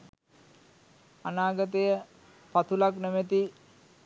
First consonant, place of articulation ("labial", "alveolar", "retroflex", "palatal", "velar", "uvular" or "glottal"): alveolar